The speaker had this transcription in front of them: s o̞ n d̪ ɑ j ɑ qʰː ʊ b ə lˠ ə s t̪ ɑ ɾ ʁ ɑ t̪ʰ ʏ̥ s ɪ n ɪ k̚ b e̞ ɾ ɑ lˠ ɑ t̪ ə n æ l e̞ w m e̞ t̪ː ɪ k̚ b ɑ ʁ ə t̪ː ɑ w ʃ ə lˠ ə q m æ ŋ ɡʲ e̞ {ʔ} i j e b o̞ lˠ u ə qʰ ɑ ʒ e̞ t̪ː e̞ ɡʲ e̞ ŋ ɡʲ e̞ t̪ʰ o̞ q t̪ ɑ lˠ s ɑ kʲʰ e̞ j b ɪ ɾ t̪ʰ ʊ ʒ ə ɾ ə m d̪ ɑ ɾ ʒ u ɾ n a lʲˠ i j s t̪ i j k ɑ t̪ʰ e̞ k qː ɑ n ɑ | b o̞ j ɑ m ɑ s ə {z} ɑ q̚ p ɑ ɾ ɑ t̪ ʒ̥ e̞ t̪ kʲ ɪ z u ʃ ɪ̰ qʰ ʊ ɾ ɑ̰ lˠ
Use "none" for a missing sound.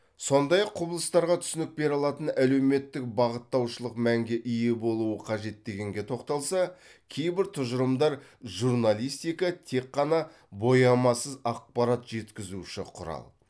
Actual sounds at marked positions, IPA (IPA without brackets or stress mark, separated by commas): ʔ, z